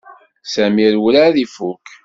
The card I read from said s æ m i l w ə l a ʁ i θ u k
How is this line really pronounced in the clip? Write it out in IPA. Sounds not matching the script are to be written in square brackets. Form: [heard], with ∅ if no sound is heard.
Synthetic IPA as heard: s æ m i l w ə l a [ð] i [f] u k